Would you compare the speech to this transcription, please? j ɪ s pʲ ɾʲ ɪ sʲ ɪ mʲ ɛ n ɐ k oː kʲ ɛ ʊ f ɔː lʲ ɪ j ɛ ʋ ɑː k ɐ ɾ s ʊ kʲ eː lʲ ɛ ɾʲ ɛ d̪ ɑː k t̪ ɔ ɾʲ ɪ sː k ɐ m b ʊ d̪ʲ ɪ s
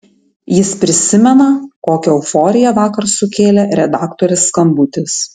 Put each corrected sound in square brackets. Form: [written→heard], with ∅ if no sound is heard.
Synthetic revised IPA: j ɪ s pʲ ɾʲ ɪ sʲ ɪ mʲ ɛ n ɐ k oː kʲ ɛ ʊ f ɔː [lʲ→ɾʲ] ɪ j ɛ ʋ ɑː k ɐ ɾ s ʊ kʲ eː lʲ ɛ ɾʲ ɛ d̪ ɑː k t̪ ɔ ɾʲ ɪ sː k ɐ m b ʊ [d̪ʲ→t̪ʲ] ɪ s